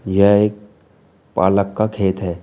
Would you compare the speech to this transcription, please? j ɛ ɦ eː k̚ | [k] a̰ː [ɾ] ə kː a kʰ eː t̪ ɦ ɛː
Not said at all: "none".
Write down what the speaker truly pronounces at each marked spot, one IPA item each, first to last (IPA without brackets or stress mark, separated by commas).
p, l